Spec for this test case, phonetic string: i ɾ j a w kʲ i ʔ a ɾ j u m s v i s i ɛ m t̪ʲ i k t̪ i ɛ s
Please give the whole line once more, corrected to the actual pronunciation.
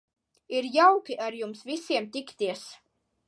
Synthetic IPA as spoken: i ɾ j a w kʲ i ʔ a ɾ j u m s v i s i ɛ m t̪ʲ i k t̪ i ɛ s